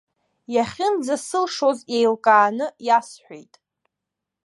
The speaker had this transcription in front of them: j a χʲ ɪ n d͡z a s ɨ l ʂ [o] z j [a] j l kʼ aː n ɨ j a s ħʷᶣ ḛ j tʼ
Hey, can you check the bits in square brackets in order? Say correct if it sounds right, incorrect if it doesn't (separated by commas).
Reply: correct, incorrect